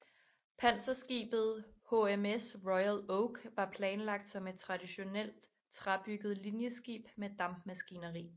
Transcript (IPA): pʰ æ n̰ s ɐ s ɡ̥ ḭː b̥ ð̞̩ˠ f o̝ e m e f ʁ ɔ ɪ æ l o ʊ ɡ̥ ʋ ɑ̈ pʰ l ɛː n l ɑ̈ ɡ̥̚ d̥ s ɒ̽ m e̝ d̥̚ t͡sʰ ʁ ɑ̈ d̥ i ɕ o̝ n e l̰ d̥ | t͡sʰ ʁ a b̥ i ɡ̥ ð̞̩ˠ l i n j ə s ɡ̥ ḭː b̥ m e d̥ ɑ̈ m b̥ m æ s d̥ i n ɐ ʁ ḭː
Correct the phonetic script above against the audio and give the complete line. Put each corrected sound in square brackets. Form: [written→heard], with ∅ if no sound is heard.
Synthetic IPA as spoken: pʰ æ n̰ s ɐ s ɡ̥ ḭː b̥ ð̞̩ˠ [f→h] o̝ e m e [f→s] ʁ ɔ ɪ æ l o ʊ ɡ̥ ʋ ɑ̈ pʰ l ɛː n l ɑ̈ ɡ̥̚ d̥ s ɒ̽ m e̝ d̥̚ t͡sʰ ʁ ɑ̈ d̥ i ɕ o̝ n e l̰ d̥ | t͡sʰ ʁ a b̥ [i→y] ɡ̥ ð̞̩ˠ l i n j ə s ɡ̥ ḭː b̥ m e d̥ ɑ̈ m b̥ m æ s [d̥→ɡ̥] i n ɐ ʁ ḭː